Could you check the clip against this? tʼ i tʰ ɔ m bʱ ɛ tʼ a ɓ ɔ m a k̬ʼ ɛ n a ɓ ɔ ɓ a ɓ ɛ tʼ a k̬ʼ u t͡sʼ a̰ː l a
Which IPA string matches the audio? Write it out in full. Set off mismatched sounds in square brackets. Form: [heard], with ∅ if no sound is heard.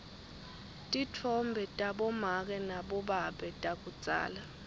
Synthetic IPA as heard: tʼ i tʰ ɔ m bʱ ɛ tʼ a ɓ ɔ m a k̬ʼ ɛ n a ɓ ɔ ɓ a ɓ ɛ tʼ a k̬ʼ u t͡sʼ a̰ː l a